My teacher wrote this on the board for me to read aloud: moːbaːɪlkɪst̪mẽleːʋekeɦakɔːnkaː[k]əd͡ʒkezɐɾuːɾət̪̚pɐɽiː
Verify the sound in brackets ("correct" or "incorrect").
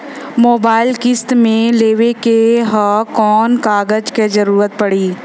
incorrect